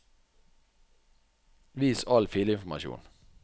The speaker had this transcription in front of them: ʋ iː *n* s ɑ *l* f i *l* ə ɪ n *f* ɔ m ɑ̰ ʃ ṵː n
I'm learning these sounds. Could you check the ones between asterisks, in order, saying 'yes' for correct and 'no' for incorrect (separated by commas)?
no, yes, yes, yes